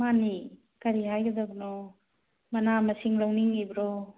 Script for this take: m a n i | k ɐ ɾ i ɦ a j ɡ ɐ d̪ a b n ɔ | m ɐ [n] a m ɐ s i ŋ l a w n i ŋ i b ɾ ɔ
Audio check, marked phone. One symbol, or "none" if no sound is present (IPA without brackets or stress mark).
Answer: n